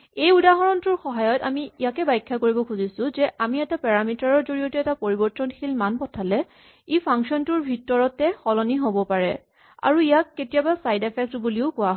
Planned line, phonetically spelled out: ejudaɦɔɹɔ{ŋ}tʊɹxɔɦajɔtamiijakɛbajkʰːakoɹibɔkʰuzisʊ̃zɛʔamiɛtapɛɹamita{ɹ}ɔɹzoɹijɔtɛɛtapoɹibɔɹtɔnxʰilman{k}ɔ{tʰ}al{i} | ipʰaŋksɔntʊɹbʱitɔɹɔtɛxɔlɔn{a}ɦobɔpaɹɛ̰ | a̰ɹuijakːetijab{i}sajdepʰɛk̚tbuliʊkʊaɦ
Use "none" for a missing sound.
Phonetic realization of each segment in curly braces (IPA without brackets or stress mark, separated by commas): n, ɹ, p, tʰ, ɛ, i, a